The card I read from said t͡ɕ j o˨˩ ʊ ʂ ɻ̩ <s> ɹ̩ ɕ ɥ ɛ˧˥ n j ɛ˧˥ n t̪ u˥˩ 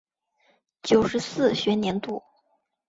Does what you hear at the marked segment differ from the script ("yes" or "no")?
no